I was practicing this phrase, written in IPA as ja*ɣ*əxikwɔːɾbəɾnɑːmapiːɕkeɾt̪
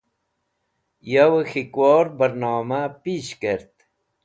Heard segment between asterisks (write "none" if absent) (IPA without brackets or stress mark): w